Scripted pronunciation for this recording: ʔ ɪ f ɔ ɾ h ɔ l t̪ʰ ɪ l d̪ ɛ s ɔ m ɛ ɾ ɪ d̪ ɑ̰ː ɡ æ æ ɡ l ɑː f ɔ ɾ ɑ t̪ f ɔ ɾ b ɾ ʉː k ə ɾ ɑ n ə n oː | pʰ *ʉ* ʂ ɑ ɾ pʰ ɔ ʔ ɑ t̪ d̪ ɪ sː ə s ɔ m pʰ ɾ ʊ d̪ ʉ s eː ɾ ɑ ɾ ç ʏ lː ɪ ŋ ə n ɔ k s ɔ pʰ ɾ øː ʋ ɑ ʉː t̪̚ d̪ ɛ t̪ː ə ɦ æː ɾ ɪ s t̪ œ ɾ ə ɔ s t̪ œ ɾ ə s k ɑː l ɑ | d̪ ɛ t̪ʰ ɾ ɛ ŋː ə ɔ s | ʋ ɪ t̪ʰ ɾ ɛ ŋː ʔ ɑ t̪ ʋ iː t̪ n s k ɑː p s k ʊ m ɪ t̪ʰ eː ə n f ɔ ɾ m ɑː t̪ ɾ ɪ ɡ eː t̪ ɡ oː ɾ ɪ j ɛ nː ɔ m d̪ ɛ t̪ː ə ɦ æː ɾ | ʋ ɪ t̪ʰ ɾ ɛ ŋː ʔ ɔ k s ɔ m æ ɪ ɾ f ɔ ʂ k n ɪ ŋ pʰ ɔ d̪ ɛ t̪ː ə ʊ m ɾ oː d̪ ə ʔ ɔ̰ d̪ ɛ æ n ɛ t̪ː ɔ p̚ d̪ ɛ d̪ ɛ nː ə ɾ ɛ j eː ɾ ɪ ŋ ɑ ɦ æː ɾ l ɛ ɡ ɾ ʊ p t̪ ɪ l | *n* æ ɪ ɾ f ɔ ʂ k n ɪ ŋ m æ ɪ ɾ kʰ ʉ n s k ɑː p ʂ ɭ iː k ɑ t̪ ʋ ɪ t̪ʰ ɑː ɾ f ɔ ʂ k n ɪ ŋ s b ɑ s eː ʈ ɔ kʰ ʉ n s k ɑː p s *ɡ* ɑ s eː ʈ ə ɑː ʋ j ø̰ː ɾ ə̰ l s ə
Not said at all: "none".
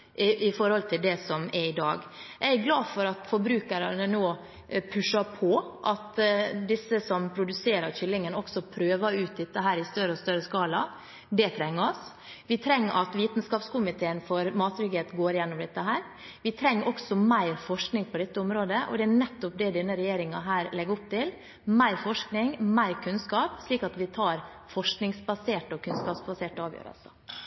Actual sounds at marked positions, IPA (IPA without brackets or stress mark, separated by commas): ʉ, m, b